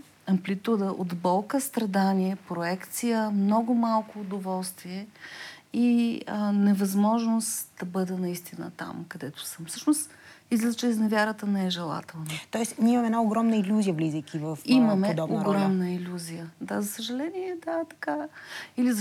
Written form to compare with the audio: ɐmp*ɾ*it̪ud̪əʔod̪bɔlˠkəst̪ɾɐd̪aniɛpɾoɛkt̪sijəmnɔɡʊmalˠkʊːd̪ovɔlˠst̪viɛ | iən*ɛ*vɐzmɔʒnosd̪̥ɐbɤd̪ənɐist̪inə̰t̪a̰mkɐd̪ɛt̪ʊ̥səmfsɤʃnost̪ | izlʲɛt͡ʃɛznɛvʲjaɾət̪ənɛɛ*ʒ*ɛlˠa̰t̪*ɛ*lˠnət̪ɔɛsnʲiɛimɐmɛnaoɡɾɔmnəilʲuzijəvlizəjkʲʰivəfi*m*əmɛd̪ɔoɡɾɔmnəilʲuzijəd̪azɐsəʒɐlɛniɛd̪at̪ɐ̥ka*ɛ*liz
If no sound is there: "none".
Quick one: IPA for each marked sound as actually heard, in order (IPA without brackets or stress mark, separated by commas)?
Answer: l, ɛ, ʒ, ɛ, m, i